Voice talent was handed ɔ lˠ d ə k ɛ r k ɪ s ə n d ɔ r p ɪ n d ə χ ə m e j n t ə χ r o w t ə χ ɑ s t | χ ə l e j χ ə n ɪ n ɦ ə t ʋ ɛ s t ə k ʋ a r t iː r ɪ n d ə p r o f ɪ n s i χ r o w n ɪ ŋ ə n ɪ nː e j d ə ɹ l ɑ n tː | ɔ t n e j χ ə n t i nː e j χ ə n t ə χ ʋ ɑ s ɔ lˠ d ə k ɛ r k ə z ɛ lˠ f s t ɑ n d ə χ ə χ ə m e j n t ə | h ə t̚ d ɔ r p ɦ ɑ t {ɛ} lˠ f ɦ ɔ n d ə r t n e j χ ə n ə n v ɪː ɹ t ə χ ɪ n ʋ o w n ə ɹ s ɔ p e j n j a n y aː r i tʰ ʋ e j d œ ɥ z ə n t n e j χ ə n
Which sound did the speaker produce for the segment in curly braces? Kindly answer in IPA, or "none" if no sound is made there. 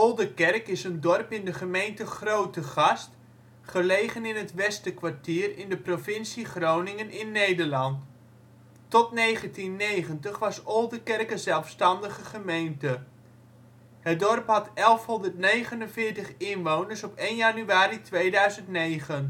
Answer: ɛ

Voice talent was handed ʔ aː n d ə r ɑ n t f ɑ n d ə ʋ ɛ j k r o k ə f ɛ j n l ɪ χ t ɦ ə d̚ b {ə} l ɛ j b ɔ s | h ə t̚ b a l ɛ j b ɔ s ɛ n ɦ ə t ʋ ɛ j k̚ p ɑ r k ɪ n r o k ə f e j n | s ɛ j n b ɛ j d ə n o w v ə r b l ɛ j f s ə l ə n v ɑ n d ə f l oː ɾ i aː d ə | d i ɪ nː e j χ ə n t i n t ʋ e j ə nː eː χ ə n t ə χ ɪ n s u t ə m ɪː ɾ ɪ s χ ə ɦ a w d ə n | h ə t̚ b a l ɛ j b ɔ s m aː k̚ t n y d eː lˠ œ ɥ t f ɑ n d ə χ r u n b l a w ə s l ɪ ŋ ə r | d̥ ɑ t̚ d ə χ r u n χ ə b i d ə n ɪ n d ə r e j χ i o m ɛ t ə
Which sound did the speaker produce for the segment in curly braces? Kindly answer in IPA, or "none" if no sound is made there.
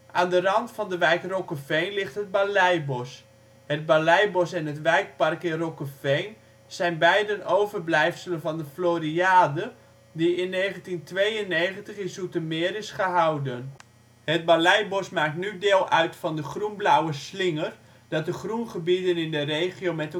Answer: a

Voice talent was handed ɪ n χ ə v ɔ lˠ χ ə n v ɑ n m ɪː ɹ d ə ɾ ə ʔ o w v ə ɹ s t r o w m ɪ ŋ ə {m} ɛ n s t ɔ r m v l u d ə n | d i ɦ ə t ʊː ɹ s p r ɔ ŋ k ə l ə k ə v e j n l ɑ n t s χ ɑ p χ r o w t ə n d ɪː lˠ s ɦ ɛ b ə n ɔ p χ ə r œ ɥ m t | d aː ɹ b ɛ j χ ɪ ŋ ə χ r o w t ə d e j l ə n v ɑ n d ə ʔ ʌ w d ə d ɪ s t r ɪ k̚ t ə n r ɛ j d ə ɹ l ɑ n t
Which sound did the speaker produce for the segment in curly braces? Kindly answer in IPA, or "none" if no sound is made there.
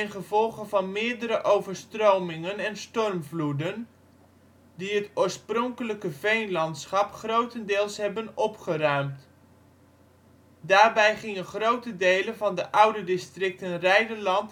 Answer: n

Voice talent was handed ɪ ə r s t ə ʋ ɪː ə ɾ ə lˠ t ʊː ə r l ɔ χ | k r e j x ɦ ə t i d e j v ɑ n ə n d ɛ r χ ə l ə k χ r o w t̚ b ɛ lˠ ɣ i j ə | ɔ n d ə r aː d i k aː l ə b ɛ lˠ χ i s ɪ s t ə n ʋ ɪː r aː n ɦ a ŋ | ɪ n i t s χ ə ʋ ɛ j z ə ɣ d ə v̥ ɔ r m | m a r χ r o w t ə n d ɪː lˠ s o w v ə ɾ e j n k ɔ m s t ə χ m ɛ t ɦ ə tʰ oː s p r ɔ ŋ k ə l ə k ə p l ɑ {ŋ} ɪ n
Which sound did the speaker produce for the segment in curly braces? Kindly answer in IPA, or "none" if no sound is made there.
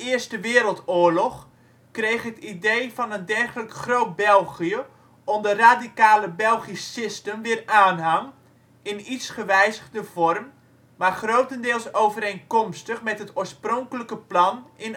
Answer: n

